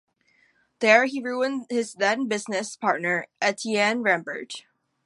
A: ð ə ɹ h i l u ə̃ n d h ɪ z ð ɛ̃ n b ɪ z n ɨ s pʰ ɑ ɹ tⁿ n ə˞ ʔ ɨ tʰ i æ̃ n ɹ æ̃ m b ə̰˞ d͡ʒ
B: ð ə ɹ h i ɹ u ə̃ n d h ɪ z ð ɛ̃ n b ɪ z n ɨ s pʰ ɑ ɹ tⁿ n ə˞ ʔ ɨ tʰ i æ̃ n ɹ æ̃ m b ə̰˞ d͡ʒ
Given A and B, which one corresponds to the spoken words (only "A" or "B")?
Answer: B